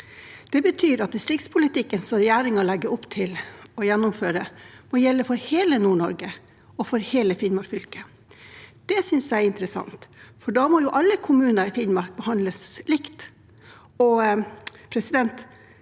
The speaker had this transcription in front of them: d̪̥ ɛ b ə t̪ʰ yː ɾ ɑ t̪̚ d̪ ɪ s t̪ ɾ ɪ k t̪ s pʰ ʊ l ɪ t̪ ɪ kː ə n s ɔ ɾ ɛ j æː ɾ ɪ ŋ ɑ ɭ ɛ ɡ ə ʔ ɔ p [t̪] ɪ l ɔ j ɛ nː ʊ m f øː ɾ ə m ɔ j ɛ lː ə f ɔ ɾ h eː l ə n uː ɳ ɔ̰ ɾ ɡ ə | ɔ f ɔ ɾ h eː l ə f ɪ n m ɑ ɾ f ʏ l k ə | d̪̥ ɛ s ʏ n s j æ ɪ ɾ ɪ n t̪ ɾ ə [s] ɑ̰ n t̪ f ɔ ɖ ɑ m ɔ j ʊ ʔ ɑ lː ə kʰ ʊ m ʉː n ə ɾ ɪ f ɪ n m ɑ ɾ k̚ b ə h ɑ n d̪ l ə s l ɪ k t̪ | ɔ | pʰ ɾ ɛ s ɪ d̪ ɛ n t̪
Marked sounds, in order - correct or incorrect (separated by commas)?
incorrect, correct